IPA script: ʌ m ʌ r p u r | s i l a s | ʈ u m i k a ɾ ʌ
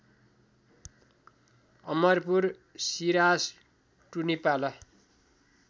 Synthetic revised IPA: ʌ m ʌ r p u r | s i ɾ a s | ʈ u n i p a l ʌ